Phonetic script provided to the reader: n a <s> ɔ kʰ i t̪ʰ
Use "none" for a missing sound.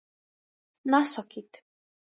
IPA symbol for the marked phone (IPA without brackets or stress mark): s